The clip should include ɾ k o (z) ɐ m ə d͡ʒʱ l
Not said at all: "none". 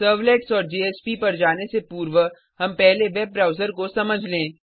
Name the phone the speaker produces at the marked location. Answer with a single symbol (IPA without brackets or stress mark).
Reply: s